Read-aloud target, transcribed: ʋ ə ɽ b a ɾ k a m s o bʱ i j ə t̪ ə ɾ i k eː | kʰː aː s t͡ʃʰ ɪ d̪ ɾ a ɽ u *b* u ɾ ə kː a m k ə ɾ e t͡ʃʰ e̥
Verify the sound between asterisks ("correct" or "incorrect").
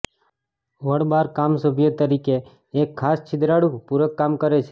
incorrect